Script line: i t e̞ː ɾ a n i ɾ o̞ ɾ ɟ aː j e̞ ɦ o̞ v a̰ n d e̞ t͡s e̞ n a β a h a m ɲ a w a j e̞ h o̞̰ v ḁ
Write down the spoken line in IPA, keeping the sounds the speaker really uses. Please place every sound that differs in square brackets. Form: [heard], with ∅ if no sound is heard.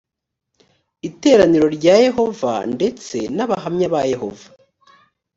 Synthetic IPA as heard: i t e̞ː ɾ a n i ɾ o̞ ɾ ɟ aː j e̞ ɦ o̞ v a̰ n d e̞ t͡s e̞ n a β a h a m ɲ a [β] a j e̞ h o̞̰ v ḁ

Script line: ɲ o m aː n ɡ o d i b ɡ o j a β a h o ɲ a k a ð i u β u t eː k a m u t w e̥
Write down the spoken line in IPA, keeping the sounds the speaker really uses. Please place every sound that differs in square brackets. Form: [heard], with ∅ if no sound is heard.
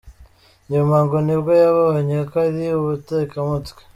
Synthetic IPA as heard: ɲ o m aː [ŋ] ɡ o [n] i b ɡ o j a β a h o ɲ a k a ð i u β u t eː k a m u t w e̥

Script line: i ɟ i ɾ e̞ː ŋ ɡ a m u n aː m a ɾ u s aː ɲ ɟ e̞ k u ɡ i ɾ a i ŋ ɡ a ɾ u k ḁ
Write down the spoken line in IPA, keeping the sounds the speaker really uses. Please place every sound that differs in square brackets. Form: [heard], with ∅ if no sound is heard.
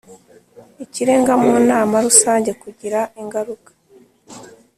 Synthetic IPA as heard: i [c] i ɾ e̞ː ŋ ɡ a m u n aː m a ɾ u s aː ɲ ɟ e̞ k u [ɟ] i ɾ a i ŋ ɡ a ɾ u k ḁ

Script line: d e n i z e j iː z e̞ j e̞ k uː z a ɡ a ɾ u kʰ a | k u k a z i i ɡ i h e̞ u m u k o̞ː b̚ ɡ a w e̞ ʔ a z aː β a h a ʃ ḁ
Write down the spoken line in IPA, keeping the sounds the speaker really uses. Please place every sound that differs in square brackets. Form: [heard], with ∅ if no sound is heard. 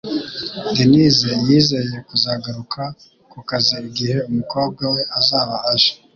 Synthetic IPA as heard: d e n i z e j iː z e̞ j e̞ k [u] z a ɡ a ɾ u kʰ a | k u k a z i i ɡ i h e̞ u m u k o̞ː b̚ ɡ a w e̞ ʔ a z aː β a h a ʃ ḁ

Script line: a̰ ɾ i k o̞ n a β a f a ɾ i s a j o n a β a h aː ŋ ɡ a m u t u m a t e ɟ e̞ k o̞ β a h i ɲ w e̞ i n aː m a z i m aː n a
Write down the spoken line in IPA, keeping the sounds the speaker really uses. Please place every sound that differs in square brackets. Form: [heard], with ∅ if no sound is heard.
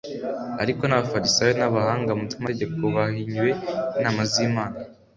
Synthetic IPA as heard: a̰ ɾ i k o̞ n a β a f a ɾ i s a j o n a β a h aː ŋ ɡ a m u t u m a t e ɟ e̞ k o̞ β a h i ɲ w e̞ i n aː m a z i m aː n a

